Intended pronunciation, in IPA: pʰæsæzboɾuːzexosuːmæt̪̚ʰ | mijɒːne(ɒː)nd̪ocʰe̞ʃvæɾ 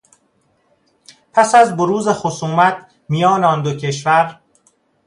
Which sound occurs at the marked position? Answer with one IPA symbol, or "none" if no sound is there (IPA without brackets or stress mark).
ɒ